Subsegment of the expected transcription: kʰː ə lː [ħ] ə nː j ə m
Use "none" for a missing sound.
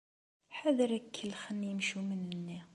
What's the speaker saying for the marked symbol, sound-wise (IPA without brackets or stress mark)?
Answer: x